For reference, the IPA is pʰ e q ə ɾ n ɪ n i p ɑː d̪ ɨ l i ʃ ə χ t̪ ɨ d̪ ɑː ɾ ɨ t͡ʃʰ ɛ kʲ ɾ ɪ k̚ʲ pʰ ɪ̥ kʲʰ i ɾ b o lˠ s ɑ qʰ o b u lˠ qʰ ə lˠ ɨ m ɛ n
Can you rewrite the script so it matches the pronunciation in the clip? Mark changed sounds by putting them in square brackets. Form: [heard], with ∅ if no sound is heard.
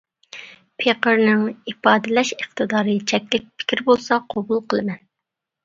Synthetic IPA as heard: pʰ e q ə ɾ n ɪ [ŋ] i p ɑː d̪ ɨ l [ɛ] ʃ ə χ t̪ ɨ d̪ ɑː ɾ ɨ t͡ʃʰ ɛ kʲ [l] ɪ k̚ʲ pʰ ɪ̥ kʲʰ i ɾ b o lˠ s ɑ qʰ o b u lˠ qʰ ə lˠ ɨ m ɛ n